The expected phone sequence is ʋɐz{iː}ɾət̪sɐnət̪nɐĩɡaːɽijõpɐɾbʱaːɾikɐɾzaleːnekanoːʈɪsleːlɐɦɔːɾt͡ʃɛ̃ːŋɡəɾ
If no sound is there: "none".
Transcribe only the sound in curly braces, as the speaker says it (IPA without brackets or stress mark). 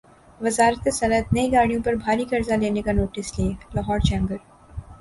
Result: aː